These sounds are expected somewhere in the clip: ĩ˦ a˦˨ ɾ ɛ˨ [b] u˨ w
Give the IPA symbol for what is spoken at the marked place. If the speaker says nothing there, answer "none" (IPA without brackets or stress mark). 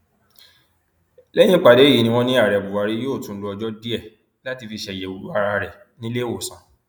b